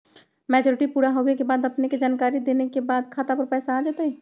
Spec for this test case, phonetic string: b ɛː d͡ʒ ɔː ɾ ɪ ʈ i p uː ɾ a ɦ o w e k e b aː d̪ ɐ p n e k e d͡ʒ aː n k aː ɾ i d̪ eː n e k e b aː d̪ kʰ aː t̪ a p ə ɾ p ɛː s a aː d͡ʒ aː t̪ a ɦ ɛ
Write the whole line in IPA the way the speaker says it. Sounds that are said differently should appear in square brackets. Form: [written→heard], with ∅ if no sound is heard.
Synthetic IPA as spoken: [b→m] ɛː d͡ʒ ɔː ɾ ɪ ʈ i p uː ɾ a ɦ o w e k e b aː d̪ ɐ p n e k e d͡ʒ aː n k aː ɾ i d̪ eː n e k e b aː d̪ kʰ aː t̪ a p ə ɾ p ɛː s a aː d͡ʒ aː t̪ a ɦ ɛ